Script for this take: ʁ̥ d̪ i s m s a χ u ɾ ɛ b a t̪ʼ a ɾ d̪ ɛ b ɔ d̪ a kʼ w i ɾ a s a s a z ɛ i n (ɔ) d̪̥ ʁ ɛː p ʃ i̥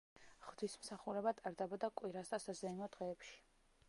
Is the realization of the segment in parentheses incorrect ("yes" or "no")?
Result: no